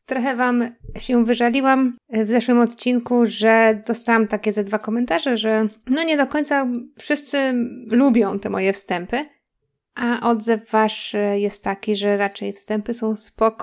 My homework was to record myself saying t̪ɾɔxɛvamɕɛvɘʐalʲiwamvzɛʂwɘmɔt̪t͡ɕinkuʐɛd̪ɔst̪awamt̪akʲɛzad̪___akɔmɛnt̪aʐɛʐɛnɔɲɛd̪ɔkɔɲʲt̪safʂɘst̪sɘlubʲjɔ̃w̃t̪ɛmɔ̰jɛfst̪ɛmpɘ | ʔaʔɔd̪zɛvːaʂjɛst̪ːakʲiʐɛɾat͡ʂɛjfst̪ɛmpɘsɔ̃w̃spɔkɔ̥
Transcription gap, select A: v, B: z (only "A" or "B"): A